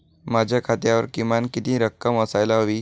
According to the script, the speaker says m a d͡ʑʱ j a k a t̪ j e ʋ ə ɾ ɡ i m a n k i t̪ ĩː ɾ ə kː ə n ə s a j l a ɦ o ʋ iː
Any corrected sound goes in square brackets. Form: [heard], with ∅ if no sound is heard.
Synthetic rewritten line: m a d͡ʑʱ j a [kʰ] a t̪ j [a] ʋ ə ɾ [k] i m a n k i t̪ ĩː ɾ ə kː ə [m] ə s a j l a ɦ o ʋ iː